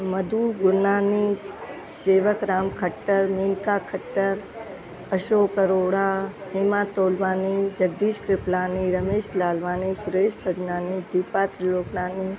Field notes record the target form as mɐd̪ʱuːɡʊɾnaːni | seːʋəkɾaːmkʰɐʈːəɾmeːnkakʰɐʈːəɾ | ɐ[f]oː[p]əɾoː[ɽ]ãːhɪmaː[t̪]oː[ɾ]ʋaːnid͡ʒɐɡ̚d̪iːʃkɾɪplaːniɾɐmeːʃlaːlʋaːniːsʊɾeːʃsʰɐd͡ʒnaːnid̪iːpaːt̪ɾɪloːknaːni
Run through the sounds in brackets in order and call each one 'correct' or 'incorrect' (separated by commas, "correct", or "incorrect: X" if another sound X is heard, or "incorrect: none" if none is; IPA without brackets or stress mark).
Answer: incorrect: ʃ, incorrect: k, correct, correct, incorrect: l